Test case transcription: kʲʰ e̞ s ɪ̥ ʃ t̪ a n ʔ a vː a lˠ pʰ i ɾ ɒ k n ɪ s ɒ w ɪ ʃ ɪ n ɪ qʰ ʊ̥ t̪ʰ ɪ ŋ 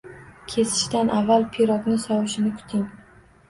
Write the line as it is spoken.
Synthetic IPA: kʲʰ e̞ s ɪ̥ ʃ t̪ a n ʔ a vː a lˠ pʰ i ɾ ɒ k n ɪ s ɒ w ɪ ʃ ɪ n ɪ kʰ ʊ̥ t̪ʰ ɪ ŋ

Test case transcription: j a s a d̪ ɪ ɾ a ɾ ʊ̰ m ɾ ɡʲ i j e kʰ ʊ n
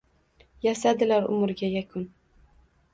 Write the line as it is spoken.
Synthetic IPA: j a s a d̪ ɪ l a ɾ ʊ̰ m ɾ ɡʲ a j a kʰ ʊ n

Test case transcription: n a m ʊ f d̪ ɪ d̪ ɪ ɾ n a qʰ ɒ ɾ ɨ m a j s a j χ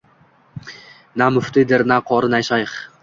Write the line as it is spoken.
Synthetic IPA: n a m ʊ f t̪ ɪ d̪ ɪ ɾ n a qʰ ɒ ɾ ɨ n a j ʃ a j χ

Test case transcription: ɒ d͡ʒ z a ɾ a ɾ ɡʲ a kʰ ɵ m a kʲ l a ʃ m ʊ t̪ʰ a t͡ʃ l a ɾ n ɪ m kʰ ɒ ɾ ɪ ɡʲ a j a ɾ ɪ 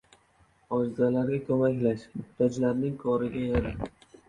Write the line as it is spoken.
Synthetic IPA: ɒ d͡ʒ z a l a ɾ ɡʲ a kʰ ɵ m a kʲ l a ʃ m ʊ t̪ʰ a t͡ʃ l a ɾ n ɪ ŋ kʰ ɒ ɾ ɪ ɡʲ a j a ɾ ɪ

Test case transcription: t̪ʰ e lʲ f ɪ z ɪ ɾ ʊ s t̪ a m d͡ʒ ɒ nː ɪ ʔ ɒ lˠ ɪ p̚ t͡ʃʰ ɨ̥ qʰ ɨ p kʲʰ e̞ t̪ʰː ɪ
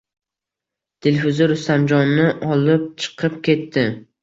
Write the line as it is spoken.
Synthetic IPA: t̪ʰ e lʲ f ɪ z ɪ ɾ ʊ s t̪ a m d͡ʒ ɒ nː ɪ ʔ ɒ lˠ ɪ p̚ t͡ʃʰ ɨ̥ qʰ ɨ p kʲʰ e̞ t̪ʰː ɪ

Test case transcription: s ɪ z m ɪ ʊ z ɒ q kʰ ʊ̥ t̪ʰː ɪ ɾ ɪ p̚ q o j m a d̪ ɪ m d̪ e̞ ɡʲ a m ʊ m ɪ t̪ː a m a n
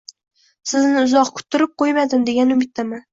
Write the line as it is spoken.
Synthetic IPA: s ɪ z n ɪ ʊ z ɒ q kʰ ʊ̥ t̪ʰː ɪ ɾ ɪ p̚ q o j m a d̪ ɪ m d̪ e̞ ɡʲ a n ʊ m ɪ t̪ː a m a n

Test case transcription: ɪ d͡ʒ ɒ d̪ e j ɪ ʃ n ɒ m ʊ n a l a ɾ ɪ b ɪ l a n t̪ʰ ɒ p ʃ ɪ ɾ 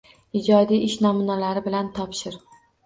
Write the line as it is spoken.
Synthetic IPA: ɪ d͡ʒ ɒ d̪ i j ɪ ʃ n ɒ m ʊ n a l a ɾ ɪ b ɪ l a n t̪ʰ ɒ p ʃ ɪ ɾ

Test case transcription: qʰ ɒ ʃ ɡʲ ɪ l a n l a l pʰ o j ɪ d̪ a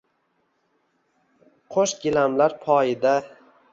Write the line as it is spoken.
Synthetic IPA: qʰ o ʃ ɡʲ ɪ l a m l a ɾ pʰ ɒ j ɪ d̪ a

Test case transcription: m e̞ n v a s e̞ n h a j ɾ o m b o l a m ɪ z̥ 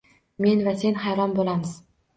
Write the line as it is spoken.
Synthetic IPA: m e̞ n v a s e̞ n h a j ɾ ɒ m b o l a m ɪ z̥

